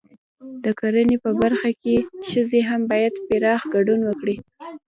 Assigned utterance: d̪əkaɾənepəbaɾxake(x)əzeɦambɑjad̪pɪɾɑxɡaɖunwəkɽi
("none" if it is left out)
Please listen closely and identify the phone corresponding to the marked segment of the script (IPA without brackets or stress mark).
ʃ